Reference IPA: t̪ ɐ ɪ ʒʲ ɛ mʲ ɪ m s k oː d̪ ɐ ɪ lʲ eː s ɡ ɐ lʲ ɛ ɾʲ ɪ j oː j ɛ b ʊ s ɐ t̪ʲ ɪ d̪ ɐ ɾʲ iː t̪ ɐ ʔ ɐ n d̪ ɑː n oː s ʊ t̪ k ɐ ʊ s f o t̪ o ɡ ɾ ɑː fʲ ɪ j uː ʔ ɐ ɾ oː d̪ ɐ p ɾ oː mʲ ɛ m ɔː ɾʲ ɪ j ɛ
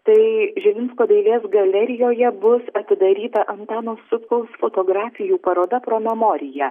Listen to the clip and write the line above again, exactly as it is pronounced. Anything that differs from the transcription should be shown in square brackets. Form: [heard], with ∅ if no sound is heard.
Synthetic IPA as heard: t̪ ɐ ɪ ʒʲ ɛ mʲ ɪ [n] s k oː d̪ ɐ ɪ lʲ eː s ɡ ɐ lʲ ɛ ɾʲ ɪ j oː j ɛ b ʊ s ɐ t̪ʲ ɪ d̪ ɐ ɾʲ iː t̪ ɐ ʔ ɐ n [t̪] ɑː n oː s ʊ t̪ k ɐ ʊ s f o t̪ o ɡ ɾ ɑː fʲ ɪ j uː [p] ɐ ɾ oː d̪ ɐ p ɾ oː mʲ ɛ m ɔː ɾʲ ɪ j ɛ